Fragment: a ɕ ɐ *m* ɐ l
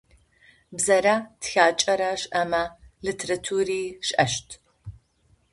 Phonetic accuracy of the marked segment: correct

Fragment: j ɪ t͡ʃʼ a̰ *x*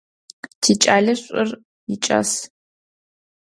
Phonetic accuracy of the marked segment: incorrect: s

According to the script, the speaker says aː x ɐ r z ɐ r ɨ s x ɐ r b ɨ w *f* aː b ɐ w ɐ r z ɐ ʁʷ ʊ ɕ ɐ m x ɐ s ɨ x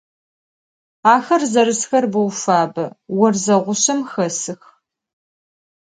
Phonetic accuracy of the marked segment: correct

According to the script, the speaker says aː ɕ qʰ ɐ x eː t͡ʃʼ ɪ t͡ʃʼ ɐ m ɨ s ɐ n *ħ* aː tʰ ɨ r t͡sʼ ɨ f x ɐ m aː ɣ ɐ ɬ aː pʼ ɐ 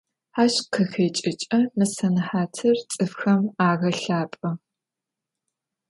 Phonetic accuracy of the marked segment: correct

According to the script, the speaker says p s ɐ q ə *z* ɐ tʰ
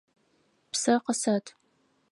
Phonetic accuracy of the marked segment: incorrect: s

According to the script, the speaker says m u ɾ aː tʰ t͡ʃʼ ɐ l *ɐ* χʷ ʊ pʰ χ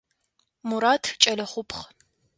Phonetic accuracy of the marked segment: correct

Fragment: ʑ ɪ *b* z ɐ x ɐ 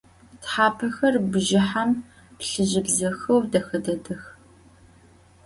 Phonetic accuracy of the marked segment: correct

